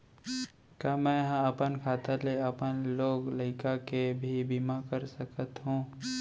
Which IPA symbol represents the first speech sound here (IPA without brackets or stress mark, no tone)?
k